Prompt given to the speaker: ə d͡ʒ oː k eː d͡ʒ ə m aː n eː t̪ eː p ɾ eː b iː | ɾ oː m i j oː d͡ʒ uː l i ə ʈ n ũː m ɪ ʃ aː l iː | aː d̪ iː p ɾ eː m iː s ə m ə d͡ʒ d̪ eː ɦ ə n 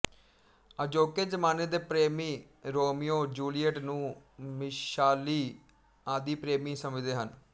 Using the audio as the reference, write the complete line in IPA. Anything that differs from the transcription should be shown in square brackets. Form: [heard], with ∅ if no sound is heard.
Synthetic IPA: ə d͡ʒ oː k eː d͡ʒ ə m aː n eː [d̪] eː p ɾ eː [m] iː | ɾ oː m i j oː d͡ʒ uː l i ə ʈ n ũː m ɪ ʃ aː l iː | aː d̪ iː p ɾ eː m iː s ə m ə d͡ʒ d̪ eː ɦ ə n